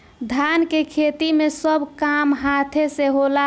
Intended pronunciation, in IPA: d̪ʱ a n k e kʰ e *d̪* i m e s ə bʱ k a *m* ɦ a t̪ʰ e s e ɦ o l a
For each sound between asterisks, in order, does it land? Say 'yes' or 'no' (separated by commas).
no, yes